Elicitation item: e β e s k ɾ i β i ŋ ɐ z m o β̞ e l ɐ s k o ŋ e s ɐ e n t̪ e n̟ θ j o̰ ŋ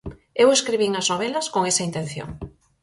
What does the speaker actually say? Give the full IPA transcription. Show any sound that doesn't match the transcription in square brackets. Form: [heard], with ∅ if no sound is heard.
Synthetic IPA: e [w] e s k ɾ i β i ŋ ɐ z [n] o β̞ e l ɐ s k o ŋ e s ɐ [i] n t̪ e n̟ θ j o̰ ŋ